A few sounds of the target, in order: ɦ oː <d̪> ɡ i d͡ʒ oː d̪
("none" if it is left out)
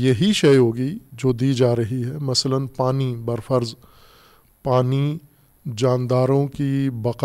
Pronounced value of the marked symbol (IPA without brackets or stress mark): none